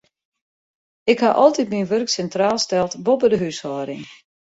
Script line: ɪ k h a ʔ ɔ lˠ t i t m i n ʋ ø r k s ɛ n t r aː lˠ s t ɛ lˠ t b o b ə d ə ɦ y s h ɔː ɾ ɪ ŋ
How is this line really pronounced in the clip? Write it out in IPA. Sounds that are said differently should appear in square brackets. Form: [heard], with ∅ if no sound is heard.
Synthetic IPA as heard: ɪ k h a ʔ ɔ lˠ t i t m i n ʋ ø r k s ɛ n t r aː lˠ s t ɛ lˠ t b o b ə d ə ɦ y s h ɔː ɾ ɪ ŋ